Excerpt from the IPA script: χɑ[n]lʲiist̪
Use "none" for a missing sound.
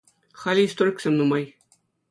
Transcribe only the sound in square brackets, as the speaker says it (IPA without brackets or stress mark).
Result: none